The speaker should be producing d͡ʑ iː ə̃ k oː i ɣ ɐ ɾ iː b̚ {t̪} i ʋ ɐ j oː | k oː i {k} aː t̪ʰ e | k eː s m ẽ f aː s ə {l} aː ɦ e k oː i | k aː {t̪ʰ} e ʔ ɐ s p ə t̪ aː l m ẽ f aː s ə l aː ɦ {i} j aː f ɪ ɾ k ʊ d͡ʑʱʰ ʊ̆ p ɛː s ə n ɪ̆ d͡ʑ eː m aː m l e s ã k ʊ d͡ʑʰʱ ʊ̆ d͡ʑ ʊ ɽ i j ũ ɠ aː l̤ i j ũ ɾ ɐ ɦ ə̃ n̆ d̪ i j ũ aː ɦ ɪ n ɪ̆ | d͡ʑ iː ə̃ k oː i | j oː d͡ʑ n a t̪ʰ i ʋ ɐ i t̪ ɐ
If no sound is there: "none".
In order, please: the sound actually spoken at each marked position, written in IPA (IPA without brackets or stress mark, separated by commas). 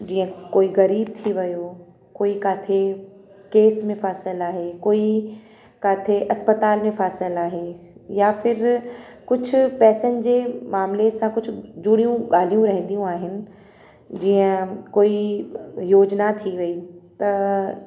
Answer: t̪ʰ, k, l, t̪ʰ, e